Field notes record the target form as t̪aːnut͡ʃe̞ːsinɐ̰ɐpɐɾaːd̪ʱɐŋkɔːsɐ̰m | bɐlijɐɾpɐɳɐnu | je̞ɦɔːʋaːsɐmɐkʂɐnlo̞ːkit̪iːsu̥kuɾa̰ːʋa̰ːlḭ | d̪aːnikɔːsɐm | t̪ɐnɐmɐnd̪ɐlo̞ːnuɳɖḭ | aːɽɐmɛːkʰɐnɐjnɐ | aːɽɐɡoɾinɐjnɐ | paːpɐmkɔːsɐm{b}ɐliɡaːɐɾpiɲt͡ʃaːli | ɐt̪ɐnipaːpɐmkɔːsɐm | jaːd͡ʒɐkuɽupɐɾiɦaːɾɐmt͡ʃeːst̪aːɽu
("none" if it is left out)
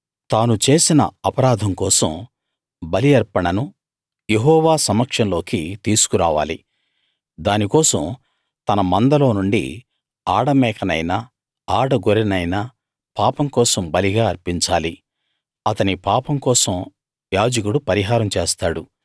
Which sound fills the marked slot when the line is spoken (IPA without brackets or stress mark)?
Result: b